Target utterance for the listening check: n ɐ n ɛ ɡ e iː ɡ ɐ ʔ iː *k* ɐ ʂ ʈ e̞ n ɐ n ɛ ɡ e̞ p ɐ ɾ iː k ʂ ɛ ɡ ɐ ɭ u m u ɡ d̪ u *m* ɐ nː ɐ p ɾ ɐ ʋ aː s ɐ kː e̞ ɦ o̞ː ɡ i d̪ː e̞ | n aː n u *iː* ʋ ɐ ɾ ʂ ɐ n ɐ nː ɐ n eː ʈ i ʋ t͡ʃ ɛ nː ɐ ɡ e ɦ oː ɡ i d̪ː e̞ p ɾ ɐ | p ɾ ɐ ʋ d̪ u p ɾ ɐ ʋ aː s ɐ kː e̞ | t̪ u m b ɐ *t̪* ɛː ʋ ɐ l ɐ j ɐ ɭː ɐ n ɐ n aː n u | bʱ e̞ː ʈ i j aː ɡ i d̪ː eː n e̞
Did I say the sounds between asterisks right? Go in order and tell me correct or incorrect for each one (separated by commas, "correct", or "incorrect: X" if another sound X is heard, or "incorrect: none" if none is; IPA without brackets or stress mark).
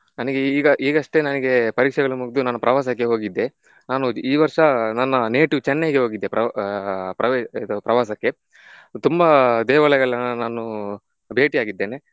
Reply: incorrect: ɡ, incorrect: n, correct, incorrect: d̪